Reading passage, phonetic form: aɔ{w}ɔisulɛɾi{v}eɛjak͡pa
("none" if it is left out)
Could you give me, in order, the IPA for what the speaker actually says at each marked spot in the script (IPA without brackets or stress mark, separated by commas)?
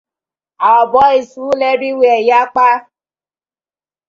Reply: b, w